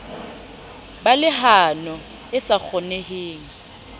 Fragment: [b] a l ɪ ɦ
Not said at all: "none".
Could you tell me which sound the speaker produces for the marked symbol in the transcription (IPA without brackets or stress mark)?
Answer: b